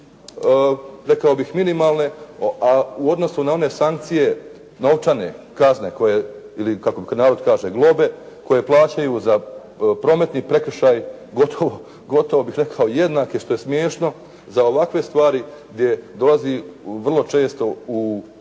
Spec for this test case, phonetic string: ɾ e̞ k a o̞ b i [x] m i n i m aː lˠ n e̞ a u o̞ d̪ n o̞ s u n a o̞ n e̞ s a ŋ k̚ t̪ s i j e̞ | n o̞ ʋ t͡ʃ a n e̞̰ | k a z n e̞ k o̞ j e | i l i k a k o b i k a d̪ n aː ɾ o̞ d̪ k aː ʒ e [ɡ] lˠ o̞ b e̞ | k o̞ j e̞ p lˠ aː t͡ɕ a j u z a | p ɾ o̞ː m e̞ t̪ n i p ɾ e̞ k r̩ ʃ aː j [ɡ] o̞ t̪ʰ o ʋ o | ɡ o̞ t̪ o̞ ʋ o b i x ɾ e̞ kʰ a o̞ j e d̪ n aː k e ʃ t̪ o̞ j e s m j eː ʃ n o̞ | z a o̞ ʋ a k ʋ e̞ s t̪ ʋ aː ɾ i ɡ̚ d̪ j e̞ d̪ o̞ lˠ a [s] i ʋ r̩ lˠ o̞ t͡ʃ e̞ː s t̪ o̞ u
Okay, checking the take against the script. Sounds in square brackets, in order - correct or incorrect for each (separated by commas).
correct, correct, correct, incorrect